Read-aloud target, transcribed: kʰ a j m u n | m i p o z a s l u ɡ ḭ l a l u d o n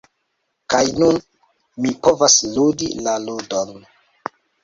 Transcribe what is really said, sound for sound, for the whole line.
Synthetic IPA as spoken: k a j n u n | m i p o v a s l u d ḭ l a l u d o n